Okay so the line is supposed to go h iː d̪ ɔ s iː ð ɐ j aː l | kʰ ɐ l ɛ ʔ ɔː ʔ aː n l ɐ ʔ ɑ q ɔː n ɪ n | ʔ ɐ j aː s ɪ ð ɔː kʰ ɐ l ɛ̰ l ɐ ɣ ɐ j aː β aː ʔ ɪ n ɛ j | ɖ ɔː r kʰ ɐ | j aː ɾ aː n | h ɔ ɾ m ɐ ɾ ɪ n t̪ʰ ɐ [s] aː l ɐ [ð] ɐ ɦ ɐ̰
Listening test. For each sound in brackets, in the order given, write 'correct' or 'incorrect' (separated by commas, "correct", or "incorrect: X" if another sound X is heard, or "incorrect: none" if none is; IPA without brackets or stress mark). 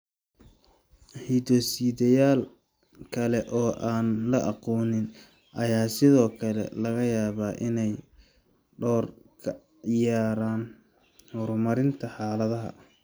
incorrect: ħ, correct